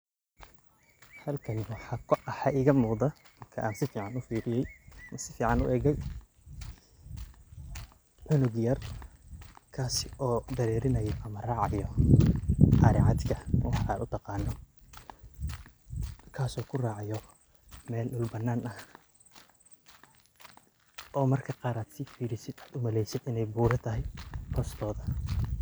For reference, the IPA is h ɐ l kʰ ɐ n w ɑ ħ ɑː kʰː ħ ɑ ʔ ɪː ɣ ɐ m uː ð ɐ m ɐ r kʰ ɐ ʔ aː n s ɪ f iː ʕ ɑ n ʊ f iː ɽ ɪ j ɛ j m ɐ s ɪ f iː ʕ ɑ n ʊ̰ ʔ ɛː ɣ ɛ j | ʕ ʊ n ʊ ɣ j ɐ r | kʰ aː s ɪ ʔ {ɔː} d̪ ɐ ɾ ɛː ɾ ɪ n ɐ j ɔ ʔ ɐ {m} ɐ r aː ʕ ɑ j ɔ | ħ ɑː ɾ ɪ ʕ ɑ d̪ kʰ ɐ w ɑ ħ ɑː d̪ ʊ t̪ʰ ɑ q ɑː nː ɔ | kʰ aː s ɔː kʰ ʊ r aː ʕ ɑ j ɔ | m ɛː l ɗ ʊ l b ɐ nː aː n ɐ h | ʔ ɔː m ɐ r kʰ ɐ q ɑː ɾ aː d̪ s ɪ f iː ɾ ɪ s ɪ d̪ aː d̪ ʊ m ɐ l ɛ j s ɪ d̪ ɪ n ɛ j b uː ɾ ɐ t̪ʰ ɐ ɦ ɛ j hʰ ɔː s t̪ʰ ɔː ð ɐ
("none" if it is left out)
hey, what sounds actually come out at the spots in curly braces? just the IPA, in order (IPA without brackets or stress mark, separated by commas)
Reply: ɔː, m